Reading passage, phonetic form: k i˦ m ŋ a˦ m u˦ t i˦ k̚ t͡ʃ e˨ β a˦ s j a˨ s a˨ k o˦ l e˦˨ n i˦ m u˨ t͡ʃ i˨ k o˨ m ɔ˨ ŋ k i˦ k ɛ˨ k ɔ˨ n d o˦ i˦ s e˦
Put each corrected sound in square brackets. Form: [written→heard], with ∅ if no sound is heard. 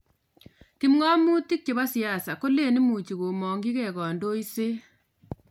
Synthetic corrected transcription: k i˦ m ŋ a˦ m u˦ t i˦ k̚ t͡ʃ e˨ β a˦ s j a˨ s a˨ k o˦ l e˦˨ n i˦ m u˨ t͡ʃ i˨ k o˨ m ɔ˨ ŋ [k→ɡ] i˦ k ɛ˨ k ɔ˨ n d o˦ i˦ s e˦